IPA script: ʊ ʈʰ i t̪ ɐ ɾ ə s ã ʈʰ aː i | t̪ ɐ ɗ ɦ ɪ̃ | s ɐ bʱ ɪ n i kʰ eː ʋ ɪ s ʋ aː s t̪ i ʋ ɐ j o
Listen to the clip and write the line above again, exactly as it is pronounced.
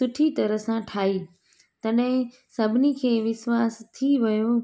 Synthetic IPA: ʊ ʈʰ i t̪ ɐ ɾ ə s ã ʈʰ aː i | t̪ ɐ ɗ ɦ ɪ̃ | s ɐ bʱ ɪ n i kʰ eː ʋ ɪ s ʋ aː s t̪ʰ i ʋ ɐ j o